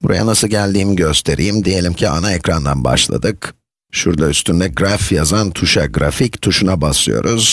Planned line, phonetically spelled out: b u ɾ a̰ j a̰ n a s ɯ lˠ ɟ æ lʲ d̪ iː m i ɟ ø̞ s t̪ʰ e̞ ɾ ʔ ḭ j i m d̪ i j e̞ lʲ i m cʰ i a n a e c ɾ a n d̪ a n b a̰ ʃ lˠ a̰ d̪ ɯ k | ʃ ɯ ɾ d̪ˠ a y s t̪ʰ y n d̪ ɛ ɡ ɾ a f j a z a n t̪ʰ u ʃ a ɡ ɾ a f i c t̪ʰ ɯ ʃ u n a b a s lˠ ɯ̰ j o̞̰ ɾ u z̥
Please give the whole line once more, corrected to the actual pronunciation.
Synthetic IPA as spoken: b u ɾ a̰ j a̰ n a s ɯ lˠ ɟ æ lʲ d̪ iː m i ɟ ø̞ s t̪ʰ e̞ ɾ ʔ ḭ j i m d̪ i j e̞ lʲ i m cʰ i a n a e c ɾ a n d̪ a n b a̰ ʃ lˠ a̰ d̪ ɯ k | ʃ u ɾ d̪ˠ a y s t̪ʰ y n d̪ ɛ ɡ ɾ a f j a z a n t̪ʰ u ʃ a ɡ ɾ a f i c t̪ʰ u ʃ u n a b a s lˠ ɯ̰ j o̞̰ ɾ u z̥